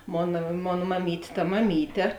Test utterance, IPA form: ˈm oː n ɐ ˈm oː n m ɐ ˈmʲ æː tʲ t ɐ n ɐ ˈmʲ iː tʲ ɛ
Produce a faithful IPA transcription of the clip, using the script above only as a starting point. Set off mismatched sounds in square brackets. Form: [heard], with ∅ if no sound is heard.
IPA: ˈm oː n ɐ ˈm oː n m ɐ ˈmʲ [iː] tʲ t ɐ [m] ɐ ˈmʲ iː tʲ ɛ